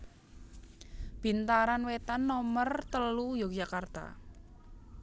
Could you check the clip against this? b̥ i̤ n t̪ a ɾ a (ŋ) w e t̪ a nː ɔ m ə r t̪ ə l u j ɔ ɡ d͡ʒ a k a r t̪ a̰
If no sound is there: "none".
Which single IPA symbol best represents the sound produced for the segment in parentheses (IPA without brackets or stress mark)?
n